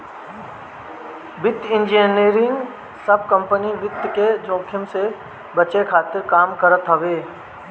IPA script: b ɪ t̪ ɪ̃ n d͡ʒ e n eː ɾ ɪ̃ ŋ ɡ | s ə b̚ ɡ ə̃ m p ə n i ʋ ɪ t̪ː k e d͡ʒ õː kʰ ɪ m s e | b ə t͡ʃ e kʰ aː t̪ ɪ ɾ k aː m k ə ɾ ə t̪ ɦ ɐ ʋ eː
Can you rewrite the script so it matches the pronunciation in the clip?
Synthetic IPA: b ɪ t̪ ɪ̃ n d͡ʒ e n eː ɾ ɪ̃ ŋ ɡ | s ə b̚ k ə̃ m p ə n i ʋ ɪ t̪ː k e d͡ʒ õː kʰ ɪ m s e | b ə t͡ʃ e kʰ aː t̪ ɪ ɾ k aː m k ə ɾ ə t̪ ɦ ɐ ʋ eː

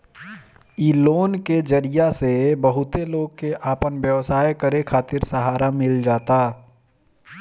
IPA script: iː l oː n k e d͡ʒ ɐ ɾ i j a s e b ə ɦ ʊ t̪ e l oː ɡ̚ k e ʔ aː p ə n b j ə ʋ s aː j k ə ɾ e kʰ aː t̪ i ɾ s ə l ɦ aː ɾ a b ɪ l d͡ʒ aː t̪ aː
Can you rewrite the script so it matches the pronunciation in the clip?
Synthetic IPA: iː l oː n k e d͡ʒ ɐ ɾ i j a s e b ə ɦ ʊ t̪ e l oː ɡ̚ k e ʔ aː p ə n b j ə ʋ s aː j k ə ɾ e kʰ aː t̪ ɪ ɾ s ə ɦ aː ɾ a m ɪ l d͡ʒ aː t̪ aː

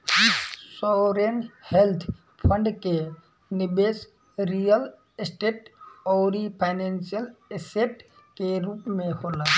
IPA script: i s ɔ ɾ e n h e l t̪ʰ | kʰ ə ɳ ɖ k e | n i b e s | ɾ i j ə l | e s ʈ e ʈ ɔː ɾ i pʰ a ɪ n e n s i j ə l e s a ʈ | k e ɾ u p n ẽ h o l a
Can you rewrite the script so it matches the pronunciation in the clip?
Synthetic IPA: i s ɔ ɾ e n h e l t̪ʰ | pʰ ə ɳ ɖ k e | n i b e s | ɾ i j ə l | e s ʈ e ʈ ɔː ɾ i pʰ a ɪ n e n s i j ə l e s e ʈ | k e ɾ u p m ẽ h o l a

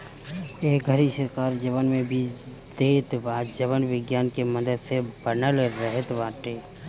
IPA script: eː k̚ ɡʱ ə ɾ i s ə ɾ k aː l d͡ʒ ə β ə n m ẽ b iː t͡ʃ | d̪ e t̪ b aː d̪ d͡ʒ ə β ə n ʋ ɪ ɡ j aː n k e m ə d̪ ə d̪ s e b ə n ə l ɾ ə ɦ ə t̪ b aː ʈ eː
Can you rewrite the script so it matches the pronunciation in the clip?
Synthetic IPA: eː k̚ ɡʱ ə ɾ i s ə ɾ k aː ɾ d͡ʒ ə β ə n m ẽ b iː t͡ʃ | d̪ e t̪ b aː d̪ d͡ʒ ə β ə n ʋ ɪ ɡ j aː n k e m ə d̪ ə d̪ s e b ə n ə l ɾ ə ɦ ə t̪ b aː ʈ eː

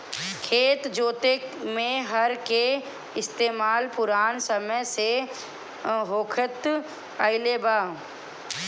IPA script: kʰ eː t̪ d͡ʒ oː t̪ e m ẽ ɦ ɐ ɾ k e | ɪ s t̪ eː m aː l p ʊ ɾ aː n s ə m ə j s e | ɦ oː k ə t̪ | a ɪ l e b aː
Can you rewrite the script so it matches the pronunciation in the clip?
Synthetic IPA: kʰ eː t̪ d͡ʒ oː t̪ e m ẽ ɦ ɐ ɾ k e | ɪ s t̪ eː m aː l p ʊ ɾ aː n s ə m ə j s e | ɦ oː kʰ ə t̪ | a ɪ l e b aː

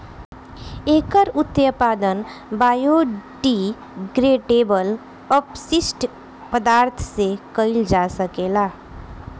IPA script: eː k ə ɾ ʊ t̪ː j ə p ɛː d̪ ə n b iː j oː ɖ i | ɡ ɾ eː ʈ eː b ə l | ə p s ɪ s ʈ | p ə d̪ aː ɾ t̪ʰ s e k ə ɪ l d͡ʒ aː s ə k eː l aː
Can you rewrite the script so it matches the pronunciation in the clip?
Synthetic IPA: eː k ə ɾ ʊ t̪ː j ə p aː d̪ ə n b aː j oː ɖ i | ɡ ɾ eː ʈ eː b ə l | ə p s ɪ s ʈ | p ə d̪ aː ɾ t̪ʰ s e k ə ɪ l d͡ʒ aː s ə k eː l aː

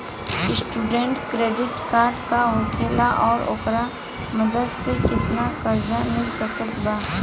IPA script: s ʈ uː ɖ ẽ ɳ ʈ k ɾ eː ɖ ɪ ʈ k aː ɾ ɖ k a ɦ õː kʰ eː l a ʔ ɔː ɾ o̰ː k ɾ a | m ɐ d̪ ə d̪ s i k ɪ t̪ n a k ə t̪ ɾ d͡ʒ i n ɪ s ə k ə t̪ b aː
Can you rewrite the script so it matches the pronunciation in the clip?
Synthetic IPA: s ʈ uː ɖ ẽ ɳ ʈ k ɾ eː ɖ ɪ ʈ k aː ɾ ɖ k a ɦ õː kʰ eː l a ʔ ɔː ɾ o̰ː k ɾ a | m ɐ d̪ ə d̪ s e k ɪ t̪ n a k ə ɾ d͡ʒ a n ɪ s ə k ə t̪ b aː

